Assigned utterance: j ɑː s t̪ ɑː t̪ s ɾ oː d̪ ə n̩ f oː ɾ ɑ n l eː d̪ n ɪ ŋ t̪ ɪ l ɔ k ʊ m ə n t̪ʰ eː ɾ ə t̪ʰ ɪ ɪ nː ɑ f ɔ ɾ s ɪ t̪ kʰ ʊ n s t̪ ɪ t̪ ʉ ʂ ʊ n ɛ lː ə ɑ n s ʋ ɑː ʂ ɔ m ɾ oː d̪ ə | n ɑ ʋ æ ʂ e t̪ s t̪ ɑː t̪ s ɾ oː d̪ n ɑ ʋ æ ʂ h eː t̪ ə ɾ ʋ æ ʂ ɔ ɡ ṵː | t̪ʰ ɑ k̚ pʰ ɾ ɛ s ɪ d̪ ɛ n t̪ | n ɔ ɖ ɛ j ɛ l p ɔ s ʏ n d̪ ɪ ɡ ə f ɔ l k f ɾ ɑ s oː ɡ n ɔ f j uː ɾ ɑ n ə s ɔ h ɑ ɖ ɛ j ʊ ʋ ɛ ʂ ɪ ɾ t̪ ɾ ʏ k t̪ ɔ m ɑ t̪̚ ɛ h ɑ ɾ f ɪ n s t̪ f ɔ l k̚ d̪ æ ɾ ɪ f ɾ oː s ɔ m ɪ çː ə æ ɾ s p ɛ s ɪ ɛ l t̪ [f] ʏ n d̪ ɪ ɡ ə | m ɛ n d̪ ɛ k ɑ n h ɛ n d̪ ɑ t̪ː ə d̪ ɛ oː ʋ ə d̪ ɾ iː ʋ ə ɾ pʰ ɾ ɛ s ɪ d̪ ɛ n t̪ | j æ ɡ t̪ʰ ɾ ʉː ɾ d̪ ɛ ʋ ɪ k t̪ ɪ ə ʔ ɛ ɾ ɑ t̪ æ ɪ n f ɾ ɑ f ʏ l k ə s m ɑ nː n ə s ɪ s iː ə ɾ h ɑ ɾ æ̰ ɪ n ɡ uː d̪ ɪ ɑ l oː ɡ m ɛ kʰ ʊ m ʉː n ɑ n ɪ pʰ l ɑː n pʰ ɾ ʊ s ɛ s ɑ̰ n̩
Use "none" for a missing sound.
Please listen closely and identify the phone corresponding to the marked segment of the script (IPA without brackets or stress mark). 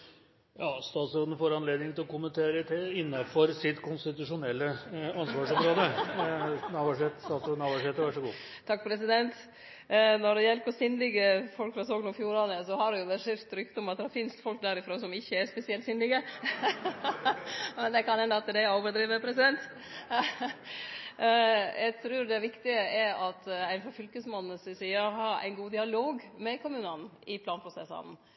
s